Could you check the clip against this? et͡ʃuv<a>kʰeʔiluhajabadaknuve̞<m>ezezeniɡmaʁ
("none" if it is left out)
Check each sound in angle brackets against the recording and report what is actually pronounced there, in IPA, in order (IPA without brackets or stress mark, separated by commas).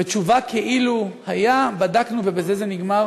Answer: a, b